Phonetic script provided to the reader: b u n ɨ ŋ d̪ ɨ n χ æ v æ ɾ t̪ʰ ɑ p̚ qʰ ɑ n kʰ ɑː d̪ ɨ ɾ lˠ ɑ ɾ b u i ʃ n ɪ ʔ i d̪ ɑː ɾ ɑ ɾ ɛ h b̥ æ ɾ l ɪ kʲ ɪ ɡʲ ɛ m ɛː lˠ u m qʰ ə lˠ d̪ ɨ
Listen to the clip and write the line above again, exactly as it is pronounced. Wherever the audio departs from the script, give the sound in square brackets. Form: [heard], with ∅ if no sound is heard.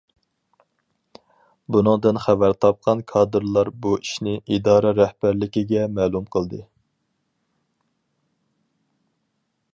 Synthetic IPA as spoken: b u n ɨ ŋ d̪ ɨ n χ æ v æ ɾ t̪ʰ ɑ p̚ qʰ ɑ n kʰ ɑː d̪ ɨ ɾ lˠ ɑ ɾ b u i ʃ n ɪ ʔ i d̪ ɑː ɾ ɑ ɾ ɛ h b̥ æ ɾ l ɪ kʲ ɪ ɡʲ ɛ m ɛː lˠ u m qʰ ə lˠ d̪ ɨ